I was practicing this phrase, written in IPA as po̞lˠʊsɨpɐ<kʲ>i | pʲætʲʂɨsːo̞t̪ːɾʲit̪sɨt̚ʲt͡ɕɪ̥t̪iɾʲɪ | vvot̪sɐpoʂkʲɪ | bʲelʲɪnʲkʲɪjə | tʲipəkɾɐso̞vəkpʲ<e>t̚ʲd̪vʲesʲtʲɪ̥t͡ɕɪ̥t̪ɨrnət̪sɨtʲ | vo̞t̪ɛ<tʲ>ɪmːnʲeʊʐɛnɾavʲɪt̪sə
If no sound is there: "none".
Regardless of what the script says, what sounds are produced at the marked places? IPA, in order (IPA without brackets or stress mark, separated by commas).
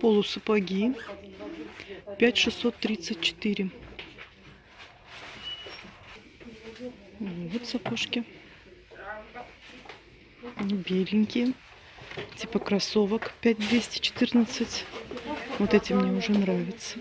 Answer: ɡʲ, æ, tʲ